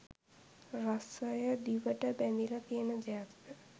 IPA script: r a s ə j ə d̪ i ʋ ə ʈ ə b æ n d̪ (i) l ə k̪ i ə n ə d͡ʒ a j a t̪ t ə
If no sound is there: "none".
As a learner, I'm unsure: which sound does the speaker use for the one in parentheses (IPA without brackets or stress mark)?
i